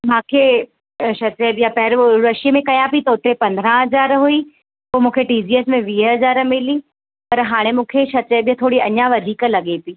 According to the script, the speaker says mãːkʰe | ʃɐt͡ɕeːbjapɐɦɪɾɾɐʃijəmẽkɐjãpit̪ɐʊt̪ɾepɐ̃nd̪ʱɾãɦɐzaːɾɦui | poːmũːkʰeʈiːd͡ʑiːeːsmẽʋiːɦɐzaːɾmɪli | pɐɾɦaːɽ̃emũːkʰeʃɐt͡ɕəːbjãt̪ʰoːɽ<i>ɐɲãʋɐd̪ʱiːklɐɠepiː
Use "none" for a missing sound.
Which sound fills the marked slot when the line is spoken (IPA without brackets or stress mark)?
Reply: i